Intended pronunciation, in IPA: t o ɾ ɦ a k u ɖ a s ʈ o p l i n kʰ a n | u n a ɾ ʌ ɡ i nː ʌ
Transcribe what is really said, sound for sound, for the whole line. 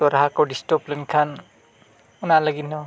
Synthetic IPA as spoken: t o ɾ ɦ a k o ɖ i s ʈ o p l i n kʰ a n | u n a l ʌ ɡ i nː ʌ

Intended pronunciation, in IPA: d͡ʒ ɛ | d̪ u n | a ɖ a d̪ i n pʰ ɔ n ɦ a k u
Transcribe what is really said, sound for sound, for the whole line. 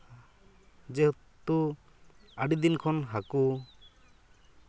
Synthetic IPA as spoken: d͡ʒ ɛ | t̪ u | a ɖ i d̪ i n kʰ ɔ n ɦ a k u

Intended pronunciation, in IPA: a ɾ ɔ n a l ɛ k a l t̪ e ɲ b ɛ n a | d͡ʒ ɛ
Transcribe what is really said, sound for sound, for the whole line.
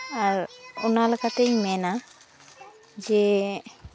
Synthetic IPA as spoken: a ɾ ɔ n a l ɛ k a t̪ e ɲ m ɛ n a | d͡ʒ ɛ

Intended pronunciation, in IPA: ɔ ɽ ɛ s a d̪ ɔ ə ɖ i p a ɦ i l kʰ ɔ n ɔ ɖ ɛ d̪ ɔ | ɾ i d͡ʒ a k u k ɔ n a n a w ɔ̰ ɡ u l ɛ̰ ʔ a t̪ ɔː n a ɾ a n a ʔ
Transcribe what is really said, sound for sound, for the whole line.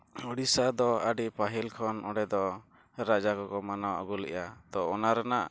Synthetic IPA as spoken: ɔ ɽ i s a d̪ ɔ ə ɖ i p a ɦ i l kʰ ɔ n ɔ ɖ ɛ d̪ ɔ | ɾ a d͡ʒ a k ɔ k ɔ m a n a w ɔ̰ ɡ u l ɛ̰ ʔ a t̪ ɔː n a ɾ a n a ʔ

